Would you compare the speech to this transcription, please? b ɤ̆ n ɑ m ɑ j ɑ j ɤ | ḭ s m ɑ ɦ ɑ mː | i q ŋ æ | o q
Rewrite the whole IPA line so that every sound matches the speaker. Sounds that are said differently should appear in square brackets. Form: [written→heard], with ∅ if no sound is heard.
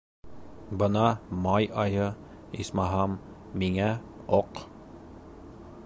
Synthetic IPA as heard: b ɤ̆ n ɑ m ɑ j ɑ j ɤ | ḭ s m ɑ ɦ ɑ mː | i [q→∅] ŋ æ | o q